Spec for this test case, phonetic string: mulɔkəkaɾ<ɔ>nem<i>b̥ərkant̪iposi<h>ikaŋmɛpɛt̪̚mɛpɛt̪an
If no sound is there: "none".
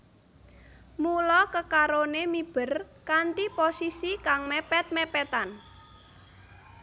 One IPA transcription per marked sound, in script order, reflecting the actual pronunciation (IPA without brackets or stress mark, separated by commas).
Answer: o, i, s